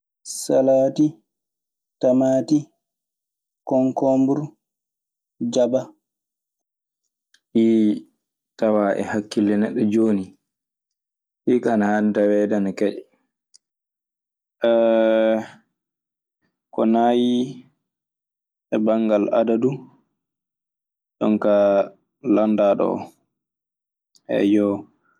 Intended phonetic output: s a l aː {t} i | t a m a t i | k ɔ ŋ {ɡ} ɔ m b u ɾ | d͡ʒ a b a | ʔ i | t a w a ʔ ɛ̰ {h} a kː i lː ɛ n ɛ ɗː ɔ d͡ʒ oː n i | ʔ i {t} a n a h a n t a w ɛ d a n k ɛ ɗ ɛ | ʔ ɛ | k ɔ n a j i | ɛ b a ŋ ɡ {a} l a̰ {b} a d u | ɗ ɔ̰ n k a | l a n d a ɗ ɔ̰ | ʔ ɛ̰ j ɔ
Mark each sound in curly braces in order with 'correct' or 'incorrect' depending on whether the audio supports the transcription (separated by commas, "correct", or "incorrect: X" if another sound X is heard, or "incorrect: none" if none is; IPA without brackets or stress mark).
correct, incorrect: k, correct, incorrect: k, correct, incorrect: d